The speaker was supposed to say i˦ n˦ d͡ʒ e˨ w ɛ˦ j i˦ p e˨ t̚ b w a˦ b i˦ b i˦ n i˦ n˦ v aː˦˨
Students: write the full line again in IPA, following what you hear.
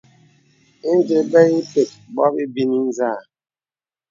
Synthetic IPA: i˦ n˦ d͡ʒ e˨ b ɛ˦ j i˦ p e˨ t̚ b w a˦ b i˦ b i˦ n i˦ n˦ z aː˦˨